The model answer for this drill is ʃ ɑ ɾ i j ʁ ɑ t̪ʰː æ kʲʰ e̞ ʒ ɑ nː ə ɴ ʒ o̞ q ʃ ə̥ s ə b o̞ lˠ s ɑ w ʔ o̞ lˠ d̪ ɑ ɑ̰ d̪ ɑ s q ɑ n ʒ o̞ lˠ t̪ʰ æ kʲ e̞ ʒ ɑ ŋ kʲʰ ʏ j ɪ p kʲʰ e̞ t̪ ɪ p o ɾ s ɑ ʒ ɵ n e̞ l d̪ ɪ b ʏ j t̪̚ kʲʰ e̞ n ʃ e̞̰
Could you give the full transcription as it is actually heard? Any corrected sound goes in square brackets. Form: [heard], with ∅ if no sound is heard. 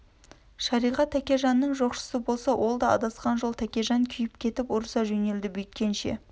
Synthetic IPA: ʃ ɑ ɾ i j ʁ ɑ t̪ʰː æ [kʲ] e̞ ʒ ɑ nː ə ɴ ʒ o̞ q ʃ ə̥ s ə b o̞ lˠ s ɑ w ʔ o̞ lˠ d̪ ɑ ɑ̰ d̪ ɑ s q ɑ n ʒ o̞ lˠ t̪ʰ æ kʲ e̞ ʒ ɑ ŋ kʲʰ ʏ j ɪ p kʲʰ e̞ t̪ ɪ p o ɾ s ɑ ʒ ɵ n e̞ l d̪ ɪ b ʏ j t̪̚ [kʲ] e̞ n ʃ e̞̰